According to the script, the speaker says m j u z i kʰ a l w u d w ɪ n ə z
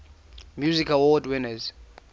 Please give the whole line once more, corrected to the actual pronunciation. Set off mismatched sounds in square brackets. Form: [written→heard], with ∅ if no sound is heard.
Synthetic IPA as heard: m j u z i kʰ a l w [u→ɔ] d w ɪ n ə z